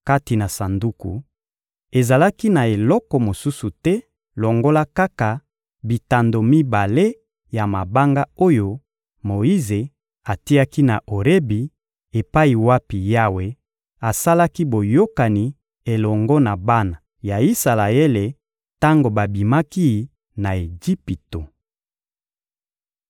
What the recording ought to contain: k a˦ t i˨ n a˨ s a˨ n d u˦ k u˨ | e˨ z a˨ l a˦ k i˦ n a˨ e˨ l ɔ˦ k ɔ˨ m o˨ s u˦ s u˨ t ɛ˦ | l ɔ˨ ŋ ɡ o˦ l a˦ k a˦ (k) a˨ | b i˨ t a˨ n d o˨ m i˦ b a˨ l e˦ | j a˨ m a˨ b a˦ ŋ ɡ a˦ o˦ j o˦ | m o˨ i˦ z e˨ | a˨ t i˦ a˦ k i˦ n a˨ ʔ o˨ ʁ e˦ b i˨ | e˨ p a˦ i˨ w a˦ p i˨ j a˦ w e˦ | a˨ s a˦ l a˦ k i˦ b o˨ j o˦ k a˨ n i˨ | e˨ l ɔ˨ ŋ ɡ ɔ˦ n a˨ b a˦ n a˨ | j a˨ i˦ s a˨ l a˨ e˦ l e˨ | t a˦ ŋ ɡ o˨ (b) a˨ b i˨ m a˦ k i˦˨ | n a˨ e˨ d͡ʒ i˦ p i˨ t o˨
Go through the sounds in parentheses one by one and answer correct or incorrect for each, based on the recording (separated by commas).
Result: correct, correct